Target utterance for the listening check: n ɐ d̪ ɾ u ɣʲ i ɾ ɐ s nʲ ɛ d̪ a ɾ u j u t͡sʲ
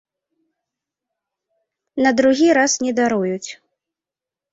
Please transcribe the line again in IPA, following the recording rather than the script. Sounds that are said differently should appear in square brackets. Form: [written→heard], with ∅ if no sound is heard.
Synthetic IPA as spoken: n ɐ d̪ ɾ u ɣʲ i ɾ [ɐ→a] s nʲ ɛ d̪ a ɾ u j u t͡sʲ